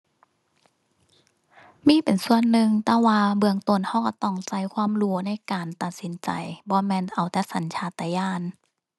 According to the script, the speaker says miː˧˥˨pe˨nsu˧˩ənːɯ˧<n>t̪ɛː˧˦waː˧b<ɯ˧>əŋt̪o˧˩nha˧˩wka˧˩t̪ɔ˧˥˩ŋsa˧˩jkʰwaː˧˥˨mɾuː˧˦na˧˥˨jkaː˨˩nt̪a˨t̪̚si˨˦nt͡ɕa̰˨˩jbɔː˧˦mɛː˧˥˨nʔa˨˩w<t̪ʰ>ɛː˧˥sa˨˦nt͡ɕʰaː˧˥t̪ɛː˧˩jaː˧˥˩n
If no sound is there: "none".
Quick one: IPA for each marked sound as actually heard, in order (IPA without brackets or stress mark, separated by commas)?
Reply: ŋ, ɯ˧, t̪